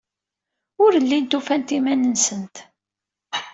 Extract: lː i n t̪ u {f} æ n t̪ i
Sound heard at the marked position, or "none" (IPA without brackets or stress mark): f